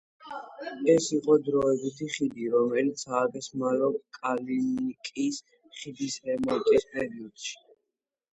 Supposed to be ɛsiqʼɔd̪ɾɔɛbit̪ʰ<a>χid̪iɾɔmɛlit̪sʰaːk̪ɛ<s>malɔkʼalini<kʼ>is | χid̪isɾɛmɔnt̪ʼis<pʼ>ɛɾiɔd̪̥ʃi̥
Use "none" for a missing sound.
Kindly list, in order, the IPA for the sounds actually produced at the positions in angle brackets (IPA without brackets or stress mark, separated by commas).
i, s, kʼ, pʼ